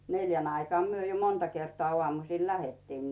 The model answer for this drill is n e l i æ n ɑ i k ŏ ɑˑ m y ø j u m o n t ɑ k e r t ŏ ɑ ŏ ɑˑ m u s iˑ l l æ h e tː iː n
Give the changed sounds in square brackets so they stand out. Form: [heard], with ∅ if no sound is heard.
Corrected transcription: n e l [j] æ n ɑ i k ŏ ɑˑ m y ø j [o] m o n t ɑ k e r t ŏ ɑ ŏ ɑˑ m u s iˑ l l æ h e tː iː n